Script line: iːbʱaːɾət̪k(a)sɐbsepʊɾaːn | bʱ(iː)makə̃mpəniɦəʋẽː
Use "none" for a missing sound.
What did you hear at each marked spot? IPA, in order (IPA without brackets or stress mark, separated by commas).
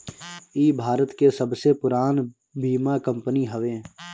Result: e, iː